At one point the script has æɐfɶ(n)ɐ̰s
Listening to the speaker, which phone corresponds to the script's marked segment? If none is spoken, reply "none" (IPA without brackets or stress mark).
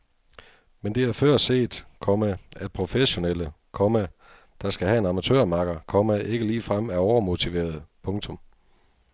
none